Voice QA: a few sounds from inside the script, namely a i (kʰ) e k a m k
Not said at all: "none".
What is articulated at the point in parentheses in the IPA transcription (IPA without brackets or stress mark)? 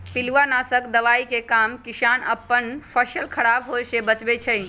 k